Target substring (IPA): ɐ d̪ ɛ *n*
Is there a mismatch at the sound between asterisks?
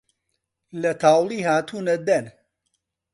no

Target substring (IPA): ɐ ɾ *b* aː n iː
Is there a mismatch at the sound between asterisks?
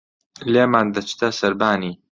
no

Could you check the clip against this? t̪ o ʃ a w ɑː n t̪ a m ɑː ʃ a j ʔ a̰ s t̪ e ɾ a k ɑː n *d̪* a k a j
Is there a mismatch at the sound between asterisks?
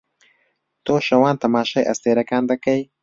no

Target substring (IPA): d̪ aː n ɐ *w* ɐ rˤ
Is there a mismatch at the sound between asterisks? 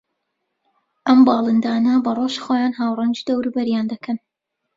yes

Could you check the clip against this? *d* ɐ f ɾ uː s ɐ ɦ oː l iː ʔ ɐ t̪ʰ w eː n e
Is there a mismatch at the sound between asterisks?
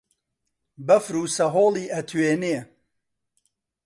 yes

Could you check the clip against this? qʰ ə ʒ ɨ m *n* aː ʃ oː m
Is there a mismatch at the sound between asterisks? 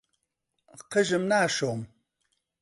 no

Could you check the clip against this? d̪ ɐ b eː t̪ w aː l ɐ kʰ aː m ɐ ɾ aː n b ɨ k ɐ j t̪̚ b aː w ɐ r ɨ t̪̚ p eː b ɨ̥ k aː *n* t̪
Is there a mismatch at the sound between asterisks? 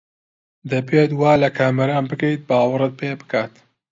yes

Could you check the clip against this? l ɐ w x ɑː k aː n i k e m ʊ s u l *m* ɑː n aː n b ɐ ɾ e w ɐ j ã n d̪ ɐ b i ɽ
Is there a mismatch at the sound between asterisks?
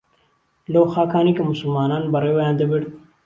no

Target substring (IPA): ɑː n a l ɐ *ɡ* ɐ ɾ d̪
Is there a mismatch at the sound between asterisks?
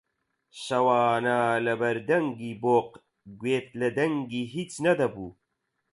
yes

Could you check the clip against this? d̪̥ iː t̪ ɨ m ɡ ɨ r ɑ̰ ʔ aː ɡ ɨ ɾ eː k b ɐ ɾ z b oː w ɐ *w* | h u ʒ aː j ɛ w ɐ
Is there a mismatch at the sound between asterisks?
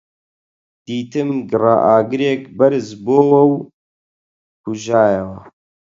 no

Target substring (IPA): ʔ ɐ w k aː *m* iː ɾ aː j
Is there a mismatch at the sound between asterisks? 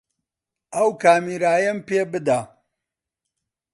no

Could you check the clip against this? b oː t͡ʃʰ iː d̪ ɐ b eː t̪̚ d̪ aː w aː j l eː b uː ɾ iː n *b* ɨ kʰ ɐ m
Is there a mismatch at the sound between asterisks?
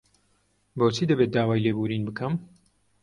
no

